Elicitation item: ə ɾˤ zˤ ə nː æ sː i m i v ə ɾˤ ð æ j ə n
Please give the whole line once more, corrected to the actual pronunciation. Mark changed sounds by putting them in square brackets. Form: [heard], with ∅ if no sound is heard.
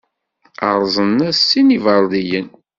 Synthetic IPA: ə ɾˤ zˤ ə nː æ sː i [n] i v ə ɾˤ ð [i] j ə n